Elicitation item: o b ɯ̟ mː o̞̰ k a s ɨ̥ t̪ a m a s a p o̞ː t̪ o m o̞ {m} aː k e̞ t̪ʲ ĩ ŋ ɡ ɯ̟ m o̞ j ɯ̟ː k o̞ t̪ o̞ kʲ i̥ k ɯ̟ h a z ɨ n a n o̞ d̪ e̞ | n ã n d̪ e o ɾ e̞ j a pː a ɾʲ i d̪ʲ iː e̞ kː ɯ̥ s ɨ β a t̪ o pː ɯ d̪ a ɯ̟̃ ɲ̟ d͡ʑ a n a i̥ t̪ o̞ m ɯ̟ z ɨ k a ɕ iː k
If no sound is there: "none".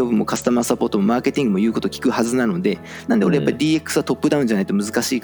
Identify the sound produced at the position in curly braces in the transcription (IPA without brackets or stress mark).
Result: m